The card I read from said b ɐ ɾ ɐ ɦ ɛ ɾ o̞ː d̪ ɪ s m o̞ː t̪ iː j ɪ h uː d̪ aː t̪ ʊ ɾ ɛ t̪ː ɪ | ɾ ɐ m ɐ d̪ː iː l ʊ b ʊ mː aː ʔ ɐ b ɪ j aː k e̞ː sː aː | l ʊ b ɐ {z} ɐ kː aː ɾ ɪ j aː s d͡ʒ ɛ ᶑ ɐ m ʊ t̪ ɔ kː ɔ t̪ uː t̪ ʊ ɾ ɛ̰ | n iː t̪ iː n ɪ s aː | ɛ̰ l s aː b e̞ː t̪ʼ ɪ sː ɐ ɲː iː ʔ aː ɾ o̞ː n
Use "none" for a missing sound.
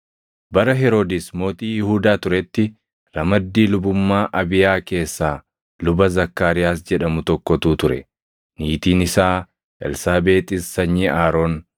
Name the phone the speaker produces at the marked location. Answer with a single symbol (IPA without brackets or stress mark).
z